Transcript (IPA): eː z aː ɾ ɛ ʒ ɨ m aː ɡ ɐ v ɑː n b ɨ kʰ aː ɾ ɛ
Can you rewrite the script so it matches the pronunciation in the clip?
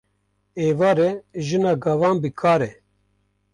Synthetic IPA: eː v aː ɾ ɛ ʒ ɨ n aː ɡ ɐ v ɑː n b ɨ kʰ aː ɾ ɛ